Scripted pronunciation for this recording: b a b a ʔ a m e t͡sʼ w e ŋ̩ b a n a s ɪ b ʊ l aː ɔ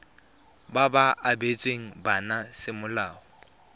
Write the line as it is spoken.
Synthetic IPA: b a b a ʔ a b e t͡sʼ w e ŋ̩ b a n a s ɪ m ʊ l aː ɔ